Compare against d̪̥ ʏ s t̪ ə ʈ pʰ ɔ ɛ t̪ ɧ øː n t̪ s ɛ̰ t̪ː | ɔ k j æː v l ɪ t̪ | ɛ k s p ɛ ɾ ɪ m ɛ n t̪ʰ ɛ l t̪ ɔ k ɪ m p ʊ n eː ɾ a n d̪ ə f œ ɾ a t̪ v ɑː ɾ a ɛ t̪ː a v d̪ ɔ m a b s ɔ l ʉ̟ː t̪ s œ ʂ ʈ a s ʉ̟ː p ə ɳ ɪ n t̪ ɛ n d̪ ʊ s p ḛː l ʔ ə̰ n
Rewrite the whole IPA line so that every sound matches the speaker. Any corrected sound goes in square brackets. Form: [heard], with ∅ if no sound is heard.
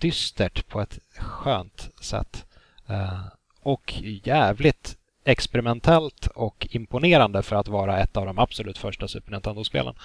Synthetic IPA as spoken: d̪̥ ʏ s t̪ ə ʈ pʰ ɔ ɛ t̪ ɧ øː n t̪ s ɛ̰ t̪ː | ɔ k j æː v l ɪ t̪ | ɛ k s p ɛ ɾ ɪ m ɛ n t̪ʰ ɛ l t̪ ɔ k ɪ m p ʊ n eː ɾ a n d̪ ə f œ ɾ a t̪ v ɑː ɾ a ɛ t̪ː a v d̪ ɔ m a b s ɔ l ʉ̟ː t̪ [f] œ ʂ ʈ a s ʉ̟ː p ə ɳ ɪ n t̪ ɛ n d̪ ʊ s p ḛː l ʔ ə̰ n